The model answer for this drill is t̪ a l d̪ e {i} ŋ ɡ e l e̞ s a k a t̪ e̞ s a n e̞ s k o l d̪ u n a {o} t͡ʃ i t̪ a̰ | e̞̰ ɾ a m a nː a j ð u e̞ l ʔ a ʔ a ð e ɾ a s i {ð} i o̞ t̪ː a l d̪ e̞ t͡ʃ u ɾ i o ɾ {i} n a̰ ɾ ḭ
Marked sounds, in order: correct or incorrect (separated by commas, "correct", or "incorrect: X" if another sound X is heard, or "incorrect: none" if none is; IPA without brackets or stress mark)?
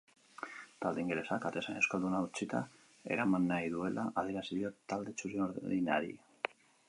correct, incorrect: u, correct, correct